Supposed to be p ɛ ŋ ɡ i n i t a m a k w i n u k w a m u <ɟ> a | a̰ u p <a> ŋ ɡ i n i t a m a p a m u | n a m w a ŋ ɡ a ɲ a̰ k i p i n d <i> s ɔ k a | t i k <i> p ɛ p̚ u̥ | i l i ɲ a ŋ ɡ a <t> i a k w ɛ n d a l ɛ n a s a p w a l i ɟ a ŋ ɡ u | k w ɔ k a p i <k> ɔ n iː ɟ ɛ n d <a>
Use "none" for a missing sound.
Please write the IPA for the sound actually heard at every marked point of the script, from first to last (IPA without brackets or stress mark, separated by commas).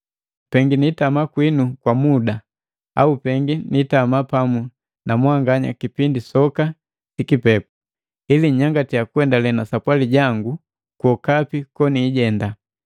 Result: d, ɛ, i, i, t, k, a